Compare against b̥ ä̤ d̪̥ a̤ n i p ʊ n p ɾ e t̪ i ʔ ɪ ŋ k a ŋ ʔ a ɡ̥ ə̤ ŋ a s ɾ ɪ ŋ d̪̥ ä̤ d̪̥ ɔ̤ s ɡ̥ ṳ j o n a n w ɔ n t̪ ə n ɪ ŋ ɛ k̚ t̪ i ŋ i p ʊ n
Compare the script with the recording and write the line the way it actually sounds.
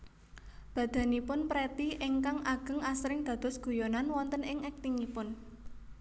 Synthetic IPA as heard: b̥ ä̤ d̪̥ a̤ n i p ʊ n p ɾ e t̪ i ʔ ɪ ŋ k a ŋ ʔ a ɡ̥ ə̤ ŋ a s ɾ ɪ ŋ d̪̥ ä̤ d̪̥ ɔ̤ s ɡ̥ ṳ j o n a n w ɔ n t̪ ə n ɪ ŋ ɛ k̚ t̪ i ŋ i p ʊ n